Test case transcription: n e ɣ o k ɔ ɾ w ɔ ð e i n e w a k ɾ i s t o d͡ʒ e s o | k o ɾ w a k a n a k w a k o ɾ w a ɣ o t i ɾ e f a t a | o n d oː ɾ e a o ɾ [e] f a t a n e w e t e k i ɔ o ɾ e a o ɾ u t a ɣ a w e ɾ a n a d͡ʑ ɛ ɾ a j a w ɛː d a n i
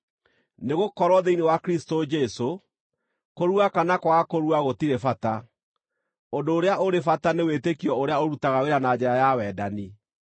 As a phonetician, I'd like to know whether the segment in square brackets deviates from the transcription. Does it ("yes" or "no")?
no